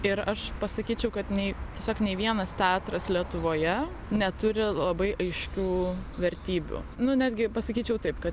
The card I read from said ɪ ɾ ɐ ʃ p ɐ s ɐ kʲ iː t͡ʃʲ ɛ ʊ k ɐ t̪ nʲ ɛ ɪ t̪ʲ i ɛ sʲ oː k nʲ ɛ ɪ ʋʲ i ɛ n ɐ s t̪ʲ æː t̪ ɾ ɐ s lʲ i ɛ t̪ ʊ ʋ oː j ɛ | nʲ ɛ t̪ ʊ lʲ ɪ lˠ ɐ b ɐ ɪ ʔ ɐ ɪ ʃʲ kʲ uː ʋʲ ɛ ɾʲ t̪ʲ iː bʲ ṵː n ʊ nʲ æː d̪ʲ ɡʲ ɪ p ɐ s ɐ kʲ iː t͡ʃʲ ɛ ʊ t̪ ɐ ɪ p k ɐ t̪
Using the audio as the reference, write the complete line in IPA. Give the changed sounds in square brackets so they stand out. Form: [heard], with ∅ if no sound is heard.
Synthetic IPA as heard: ɪ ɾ ɐ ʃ p ɐ s ɐ kʲ iː t͡ʃʲ ɛ ʊ k ɐ t̪ nʲ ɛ ɪ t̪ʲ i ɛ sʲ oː k nʲ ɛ ɪ ʋʲ i ɛ n ɐ s t̪ʲ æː t̪ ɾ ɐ s lʲ i ɛ t̪ ʊ ʋ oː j ɛ | nʲ ɛ t̪ ʊ [ɾʲ] ɪ lˠ ɐ b ɐ ɪ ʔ ɐ ɪ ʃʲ kʲ uː ʋʲ ɛ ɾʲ t̪ʲ iː bʲ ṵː n ʊ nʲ æː d̪ʲ ɡʲ ɪ p ɐ s ɐ kʲ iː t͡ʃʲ ɛ ʊ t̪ ɐ ɪ p k ɐ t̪